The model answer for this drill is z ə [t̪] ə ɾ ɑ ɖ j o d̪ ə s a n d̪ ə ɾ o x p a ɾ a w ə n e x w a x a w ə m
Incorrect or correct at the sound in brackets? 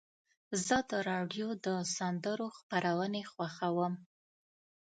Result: incorrect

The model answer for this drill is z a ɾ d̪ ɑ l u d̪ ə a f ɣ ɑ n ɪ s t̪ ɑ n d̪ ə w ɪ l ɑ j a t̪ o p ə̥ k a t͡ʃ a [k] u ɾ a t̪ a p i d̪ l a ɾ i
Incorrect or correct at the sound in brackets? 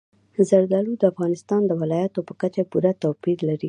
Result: incorrect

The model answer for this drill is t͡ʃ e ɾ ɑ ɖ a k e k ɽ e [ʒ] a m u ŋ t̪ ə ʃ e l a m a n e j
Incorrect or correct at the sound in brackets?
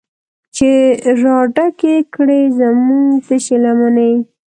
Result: incorrect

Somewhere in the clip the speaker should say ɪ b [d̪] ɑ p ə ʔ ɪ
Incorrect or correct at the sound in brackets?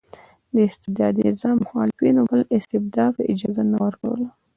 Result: correct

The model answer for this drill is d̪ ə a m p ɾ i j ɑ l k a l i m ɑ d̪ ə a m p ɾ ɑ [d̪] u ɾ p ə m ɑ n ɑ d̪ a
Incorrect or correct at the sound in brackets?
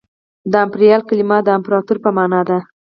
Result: incorrect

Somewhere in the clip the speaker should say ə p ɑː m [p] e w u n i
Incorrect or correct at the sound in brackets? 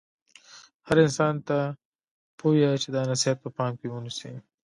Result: incorrect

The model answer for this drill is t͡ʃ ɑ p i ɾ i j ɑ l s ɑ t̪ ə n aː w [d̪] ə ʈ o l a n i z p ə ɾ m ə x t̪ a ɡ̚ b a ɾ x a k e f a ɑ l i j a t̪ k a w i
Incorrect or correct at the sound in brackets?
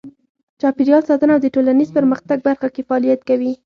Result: correct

